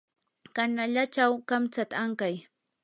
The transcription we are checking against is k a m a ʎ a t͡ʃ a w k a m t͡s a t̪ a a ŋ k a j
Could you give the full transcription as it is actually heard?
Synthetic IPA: k a n a ʎ a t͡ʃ a w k a m t͡s a t̪ a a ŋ k a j